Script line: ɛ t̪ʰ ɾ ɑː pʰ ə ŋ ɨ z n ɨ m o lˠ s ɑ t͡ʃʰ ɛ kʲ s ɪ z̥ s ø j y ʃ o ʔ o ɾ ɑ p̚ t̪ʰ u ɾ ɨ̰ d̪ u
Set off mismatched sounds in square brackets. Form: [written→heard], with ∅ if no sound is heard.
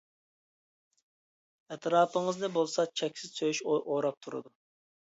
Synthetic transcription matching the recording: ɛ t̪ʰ ɾ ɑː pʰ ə ŋ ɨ z n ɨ [m→b] o lˠ s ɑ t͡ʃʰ ɛ kʲ s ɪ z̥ s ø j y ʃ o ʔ o ɾ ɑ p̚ t̪ʰ u ɾ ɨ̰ d̪ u

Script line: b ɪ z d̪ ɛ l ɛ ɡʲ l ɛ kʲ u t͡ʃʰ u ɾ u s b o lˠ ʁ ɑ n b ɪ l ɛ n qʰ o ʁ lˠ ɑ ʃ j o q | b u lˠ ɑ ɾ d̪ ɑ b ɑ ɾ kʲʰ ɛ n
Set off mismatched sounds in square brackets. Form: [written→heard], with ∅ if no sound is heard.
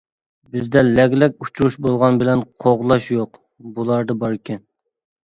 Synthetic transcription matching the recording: b ɪ z d̪ ɛ l ɛ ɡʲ l ɛ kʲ u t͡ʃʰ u ɾ u [s→ʃ] b o lˠ ʁ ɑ n b ɪ l ɛ n qʰ o ʁ lˠ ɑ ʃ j o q | b u lˠ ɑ ɾ d̪ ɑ b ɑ ɾ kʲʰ ɛ n

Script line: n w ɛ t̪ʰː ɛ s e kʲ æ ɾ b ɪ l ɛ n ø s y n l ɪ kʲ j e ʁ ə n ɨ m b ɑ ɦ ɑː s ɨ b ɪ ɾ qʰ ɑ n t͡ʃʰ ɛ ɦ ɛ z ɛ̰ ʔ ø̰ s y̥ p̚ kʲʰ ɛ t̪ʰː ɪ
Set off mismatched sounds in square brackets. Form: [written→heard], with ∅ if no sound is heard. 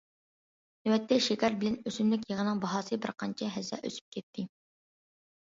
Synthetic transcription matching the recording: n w ɛ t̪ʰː ɛ [s→ʃ] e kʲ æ ɾ b ɪ l ɛ n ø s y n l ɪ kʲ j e ʁ ə n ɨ [m→ŋ] b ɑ ɦ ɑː s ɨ b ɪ ɾ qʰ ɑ n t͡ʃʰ ɛ ɦ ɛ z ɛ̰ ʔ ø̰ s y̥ p̚ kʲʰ ɛ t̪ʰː ɪ

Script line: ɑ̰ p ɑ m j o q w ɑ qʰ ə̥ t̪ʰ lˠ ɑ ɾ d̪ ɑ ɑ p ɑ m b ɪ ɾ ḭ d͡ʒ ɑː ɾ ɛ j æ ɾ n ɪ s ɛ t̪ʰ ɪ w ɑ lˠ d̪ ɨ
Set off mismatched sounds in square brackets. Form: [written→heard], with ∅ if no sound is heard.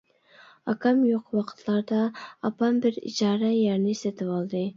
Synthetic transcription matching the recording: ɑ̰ [p→k] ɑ m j o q w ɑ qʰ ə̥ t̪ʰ lˠ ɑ ɾ d̪ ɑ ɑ p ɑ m b ɪ ɾ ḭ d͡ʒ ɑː ɾ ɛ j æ ɾ n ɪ s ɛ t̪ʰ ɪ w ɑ lˠ d̪ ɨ

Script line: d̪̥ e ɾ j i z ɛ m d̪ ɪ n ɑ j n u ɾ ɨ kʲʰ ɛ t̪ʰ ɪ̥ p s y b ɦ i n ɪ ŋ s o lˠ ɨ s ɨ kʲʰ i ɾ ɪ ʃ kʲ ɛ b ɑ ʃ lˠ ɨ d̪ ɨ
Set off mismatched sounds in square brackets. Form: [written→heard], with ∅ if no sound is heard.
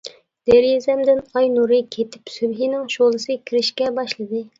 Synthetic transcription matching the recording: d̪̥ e ɾ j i z ɛ m d̪ ɪ n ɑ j n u ɾ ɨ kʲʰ [ɛ→e] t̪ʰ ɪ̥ p s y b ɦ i n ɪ ŋ [s→ʃ] o lˠ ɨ s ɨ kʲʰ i ɾ ɪ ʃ kʲ ɛ b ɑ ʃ lˠ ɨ d̪ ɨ

